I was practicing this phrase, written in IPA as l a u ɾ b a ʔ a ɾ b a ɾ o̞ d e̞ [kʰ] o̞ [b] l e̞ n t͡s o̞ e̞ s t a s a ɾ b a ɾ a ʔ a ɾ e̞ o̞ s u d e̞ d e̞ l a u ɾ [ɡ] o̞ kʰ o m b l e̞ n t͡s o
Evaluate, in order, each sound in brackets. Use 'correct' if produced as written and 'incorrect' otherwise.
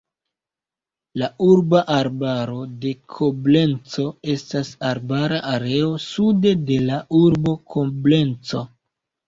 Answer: correct, correct, incorrect: b

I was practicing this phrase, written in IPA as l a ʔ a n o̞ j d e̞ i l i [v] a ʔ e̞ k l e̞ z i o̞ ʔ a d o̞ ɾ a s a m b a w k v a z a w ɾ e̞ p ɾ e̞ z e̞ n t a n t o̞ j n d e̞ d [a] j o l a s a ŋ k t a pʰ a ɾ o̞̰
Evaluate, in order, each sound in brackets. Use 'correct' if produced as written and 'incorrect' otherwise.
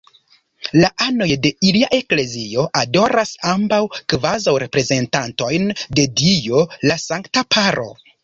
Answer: incorrect: none, incorrect: i

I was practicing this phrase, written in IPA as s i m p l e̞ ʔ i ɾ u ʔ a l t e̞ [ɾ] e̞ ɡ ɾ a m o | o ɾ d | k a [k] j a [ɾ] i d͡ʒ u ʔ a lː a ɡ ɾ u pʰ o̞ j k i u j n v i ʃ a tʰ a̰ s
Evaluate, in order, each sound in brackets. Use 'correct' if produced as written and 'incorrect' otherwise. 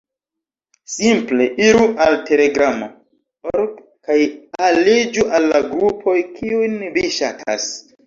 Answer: incorrect: l, incorrect: none, incorrect: l

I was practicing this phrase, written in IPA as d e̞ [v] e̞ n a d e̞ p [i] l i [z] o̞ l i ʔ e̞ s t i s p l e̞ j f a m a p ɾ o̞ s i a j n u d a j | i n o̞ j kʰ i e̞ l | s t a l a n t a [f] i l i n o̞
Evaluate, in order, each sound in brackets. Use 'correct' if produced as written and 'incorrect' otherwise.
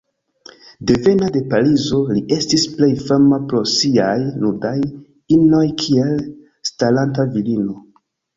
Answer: correct, incorrect: a, correct, incorrect: v

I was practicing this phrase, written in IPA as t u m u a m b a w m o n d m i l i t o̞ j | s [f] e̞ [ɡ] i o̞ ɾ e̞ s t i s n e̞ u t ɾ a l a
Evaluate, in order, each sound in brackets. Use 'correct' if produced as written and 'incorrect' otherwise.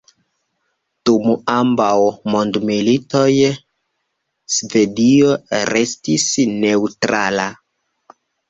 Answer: incorrect: v, incorrect: d

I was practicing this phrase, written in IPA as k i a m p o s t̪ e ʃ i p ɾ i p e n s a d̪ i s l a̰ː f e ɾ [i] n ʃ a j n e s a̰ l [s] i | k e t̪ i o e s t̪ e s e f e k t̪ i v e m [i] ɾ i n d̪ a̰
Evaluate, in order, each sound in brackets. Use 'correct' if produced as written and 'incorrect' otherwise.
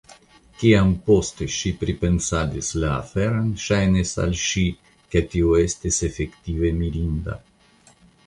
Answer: incorrect: a, incorrect: ʃ, correct

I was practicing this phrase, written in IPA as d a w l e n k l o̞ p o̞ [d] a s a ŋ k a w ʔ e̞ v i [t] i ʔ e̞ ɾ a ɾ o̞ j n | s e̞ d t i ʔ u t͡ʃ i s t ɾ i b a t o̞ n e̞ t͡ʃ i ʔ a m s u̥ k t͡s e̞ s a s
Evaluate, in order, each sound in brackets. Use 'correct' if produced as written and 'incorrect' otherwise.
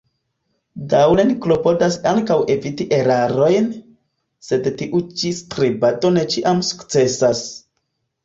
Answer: correct, correct

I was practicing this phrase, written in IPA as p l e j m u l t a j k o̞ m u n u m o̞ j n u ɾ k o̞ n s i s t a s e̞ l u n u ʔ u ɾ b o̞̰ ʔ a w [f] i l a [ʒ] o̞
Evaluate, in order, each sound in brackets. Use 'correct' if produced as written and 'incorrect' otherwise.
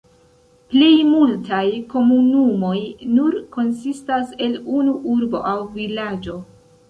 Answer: incorrect: v, incorrect: d͡ʒ

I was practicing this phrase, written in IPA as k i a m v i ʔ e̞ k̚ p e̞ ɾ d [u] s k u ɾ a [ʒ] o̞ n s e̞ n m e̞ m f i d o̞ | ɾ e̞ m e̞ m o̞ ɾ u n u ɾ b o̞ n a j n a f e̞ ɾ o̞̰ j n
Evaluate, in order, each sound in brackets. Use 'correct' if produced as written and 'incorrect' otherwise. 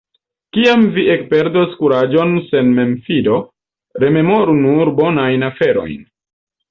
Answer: incorrect: o, incorrect: d͡ʒ

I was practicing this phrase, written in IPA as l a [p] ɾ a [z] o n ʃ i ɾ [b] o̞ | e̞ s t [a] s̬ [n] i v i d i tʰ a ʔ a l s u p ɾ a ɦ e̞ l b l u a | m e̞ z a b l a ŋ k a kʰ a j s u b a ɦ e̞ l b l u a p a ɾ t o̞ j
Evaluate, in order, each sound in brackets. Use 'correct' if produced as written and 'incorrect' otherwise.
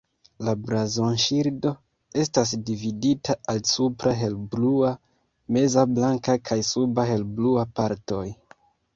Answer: incorrect: b, correct, incorrect: d, correct, incorrect: d

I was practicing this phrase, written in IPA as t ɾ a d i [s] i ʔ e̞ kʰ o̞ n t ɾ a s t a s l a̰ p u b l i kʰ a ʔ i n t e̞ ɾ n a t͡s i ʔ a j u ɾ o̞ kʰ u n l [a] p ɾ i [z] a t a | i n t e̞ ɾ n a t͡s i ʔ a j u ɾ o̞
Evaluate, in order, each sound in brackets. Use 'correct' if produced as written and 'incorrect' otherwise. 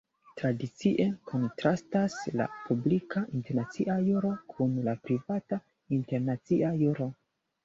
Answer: incorrect: t͡s, correct, incorrect: v

